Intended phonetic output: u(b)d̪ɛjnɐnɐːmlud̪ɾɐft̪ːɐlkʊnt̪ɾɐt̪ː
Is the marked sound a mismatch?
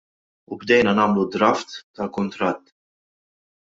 no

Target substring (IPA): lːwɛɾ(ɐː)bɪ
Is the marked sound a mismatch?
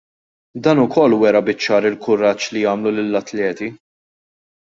yes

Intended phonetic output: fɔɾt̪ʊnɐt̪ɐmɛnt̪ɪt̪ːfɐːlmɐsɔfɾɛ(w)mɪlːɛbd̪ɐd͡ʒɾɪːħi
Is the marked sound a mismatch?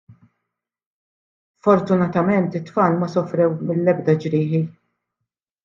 no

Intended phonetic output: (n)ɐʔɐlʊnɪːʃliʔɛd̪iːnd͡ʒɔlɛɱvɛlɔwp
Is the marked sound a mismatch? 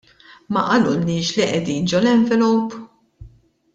yes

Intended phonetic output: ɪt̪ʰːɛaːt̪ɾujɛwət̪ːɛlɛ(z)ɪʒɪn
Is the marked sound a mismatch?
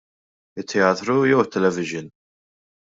yes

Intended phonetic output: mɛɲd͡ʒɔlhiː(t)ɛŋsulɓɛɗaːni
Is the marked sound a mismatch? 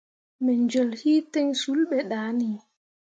no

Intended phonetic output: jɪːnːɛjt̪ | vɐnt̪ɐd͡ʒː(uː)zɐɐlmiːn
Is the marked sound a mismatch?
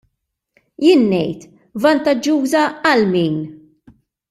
no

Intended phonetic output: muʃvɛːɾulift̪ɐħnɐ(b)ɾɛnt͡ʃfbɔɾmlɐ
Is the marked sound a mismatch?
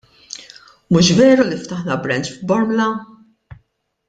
no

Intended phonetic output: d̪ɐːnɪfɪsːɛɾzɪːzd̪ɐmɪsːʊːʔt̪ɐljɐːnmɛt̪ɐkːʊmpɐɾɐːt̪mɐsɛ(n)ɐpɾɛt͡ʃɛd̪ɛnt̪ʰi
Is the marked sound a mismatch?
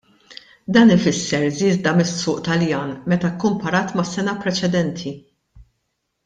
no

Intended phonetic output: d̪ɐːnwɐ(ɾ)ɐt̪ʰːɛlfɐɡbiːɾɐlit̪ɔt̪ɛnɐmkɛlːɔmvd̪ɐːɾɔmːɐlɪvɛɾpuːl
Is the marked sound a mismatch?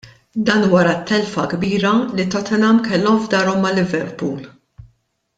no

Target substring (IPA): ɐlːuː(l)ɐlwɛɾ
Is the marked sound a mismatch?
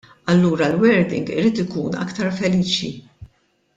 yes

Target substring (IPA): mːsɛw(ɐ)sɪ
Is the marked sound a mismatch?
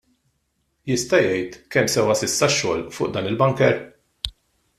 no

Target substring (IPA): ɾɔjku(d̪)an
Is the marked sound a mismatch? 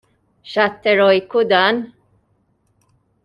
no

